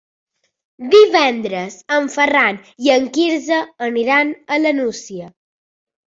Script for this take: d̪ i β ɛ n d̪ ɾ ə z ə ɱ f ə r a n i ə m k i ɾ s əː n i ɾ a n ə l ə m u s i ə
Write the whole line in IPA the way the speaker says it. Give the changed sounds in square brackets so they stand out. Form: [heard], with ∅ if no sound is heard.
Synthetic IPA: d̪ i β ɛ n d̪ ɾ ə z ə ɱ f ə r a n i ə [ŋ] k i ɾ [z] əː n i ɾ a n ə l ə [n] u s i ə